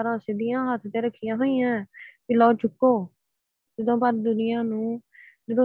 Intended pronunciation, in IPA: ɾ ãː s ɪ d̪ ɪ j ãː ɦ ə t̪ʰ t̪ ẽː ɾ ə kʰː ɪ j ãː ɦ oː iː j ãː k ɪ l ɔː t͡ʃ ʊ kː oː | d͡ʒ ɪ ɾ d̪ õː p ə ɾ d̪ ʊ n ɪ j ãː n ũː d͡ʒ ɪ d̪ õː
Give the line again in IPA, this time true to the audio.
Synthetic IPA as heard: ɾ ãː s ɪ d̪ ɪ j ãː ɦ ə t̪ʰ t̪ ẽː ɾ ə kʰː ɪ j ãː ɦ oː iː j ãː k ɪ l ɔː t͡ʃ ʊ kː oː | d͡ʒ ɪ d̪ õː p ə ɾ d̪ ʊ n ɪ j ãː n ũː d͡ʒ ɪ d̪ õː